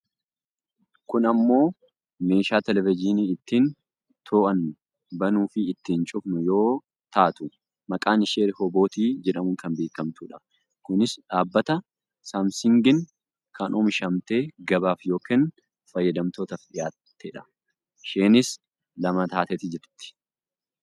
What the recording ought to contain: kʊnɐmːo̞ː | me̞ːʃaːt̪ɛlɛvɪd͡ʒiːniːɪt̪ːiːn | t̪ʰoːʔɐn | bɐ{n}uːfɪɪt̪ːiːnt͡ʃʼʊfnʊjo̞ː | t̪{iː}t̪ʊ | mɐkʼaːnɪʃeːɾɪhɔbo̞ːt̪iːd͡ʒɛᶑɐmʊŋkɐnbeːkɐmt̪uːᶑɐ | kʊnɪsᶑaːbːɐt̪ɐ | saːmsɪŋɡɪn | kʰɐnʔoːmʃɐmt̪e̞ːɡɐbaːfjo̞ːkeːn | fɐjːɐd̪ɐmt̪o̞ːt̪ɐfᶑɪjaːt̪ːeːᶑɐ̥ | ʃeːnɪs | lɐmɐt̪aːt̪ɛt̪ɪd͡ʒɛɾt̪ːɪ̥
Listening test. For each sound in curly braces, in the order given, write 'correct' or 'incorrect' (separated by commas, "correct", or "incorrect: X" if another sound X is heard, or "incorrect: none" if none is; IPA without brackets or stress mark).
correct, incorrect: aː